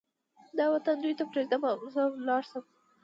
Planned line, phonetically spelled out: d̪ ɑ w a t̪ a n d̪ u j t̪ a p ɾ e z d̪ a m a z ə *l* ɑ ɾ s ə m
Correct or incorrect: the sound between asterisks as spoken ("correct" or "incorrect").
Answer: correct